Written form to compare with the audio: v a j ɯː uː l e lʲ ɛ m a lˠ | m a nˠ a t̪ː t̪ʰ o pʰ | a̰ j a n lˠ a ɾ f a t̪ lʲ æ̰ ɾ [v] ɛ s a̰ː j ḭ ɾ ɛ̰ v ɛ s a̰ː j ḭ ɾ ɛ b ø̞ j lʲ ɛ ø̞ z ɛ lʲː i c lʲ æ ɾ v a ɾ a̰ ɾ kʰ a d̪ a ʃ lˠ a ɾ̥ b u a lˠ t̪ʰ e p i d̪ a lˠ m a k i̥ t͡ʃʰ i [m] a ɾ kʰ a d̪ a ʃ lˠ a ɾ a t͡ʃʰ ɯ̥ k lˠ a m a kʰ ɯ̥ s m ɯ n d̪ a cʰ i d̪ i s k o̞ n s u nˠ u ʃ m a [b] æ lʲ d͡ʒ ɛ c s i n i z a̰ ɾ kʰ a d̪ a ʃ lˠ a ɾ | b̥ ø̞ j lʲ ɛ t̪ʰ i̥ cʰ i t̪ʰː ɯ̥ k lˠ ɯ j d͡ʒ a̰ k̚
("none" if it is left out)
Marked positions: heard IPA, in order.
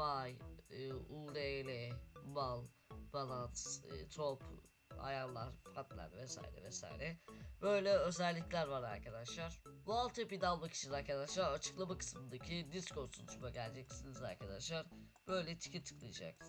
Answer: v, n, ɟ

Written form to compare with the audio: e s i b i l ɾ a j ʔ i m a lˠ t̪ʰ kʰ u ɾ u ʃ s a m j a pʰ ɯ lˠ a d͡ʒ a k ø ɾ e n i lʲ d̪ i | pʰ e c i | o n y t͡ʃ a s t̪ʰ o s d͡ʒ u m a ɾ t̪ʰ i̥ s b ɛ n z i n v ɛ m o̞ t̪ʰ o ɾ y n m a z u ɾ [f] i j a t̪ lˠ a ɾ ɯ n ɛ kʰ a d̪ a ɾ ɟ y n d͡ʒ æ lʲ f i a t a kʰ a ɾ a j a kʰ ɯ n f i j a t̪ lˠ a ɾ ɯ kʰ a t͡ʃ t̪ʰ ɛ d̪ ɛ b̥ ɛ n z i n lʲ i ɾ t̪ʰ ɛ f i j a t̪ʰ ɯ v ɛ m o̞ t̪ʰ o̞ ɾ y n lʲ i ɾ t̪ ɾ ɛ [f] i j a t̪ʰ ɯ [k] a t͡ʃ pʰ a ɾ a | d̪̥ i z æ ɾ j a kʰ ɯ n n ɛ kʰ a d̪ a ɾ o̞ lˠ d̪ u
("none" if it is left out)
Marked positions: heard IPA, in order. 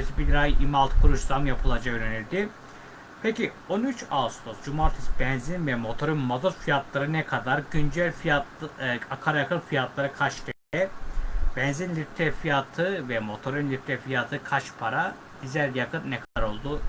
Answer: f, f, kʰ

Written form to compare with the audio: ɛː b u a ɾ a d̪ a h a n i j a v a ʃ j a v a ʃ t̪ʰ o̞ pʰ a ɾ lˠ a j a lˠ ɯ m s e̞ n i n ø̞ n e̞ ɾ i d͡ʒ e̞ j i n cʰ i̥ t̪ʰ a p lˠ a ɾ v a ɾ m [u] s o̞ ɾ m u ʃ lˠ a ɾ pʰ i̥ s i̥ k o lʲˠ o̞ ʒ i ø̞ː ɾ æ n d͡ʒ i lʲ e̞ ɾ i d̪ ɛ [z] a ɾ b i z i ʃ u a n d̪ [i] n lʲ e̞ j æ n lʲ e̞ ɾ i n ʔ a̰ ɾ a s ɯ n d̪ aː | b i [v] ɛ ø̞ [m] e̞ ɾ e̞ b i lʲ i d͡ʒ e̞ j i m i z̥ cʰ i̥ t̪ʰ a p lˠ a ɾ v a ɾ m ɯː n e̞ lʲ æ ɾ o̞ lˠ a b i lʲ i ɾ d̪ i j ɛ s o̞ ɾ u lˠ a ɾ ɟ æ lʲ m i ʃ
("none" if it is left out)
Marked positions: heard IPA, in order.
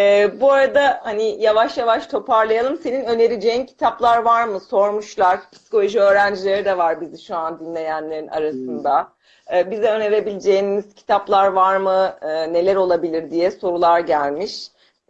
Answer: ɯ, v, i, z, n

